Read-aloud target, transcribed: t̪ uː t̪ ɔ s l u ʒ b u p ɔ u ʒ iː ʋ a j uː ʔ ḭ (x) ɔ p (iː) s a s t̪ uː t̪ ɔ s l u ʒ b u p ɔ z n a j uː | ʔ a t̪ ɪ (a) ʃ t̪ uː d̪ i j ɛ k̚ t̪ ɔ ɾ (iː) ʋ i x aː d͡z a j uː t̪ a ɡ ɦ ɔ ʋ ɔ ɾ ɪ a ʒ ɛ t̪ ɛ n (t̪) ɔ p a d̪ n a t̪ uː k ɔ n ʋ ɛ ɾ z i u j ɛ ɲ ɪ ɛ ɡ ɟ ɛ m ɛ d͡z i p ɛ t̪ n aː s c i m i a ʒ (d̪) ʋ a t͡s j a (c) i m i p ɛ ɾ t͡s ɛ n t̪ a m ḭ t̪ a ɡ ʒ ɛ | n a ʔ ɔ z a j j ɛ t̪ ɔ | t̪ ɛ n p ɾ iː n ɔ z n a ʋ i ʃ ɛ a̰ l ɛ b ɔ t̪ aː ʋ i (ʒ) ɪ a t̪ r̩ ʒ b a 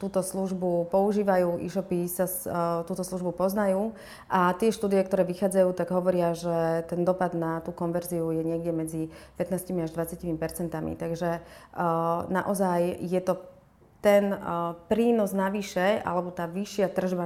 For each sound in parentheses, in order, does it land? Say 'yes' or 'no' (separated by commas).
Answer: no, no, no, no, no, yes, yes, no